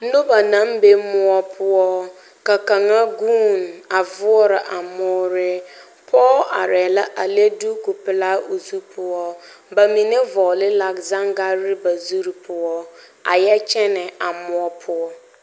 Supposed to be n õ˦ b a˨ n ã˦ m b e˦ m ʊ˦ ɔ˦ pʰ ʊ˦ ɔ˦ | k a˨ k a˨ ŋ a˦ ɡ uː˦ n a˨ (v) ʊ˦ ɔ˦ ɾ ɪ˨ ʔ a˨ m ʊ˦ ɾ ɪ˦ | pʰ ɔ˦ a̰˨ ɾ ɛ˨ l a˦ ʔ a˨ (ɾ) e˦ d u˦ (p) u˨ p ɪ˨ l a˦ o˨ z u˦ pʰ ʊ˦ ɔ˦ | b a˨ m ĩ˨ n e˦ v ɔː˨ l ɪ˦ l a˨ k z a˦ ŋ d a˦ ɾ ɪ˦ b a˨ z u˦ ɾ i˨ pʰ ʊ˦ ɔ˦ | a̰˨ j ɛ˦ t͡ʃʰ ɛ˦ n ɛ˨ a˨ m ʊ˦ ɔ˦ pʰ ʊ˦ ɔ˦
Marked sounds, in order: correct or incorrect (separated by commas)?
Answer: correct, incorrect, incorrect